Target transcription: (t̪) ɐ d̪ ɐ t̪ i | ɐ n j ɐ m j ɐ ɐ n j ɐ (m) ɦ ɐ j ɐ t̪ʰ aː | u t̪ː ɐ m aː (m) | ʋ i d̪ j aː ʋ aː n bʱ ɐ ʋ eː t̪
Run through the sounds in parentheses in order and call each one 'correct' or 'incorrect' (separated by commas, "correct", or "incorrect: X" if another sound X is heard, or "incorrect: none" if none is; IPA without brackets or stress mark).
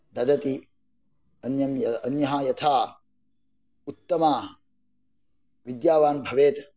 incorrect: d̪, incorrect: none, incorrect: none